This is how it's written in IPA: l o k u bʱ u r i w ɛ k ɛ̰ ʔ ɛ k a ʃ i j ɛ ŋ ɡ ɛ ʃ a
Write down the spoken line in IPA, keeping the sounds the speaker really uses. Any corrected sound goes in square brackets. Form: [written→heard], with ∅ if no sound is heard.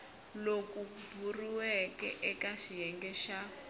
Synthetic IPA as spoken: l o k u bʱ u r i w ɛ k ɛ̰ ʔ ɛ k a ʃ i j ɛ ŋ ɡ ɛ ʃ a